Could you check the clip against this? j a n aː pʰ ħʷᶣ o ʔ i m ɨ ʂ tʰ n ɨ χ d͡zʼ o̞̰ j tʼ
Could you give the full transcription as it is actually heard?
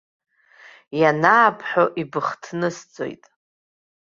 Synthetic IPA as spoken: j a n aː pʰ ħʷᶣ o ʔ i b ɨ χ tʰ n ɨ s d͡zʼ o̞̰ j tʼ